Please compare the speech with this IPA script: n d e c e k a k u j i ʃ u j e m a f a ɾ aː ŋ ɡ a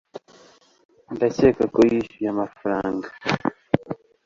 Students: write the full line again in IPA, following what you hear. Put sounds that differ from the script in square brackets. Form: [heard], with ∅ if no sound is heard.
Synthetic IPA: n d [a] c e k a k [o] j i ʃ u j [a] m a f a ɾ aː ŋ ɡ a